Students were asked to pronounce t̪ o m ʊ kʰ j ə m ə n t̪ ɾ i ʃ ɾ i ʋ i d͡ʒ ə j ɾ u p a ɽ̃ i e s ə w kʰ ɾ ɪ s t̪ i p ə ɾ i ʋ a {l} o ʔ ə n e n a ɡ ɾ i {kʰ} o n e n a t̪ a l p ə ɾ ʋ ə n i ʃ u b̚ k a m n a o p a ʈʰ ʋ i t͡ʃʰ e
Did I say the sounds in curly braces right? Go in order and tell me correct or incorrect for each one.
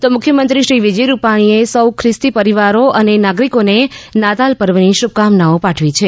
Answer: incorrect: ɾ, incorrect: k

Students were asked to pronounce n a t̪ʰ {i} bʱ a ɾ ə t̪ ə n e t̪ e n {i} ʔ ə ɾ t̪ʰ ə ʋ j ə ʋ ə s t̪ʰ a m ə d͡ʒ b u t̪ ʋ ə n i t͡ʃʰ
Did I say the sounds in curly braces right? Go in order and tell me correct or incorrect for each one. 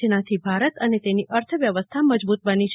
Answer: correct, correct

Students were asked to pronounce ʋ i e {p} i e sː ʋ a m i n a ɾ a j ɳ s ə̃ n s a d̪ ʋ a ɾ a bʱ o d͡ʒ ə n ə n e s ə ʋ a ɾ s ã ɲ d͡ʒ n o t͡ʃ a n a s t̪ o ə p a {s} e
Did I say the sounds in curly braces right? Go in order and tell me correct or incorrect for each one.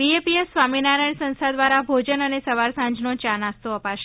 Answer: correct, incorrect: ʃ

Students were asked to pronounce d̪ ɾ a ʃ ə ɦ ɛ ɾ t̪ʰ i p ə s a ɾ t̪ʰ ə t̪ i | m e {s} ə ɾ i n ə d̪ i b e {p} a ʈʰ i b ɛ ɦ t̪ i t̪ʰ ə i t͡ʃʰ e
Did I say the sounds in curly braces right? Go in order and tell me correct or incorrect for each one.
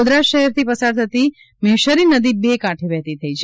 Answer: incorrect: ʃ, incorrect: k

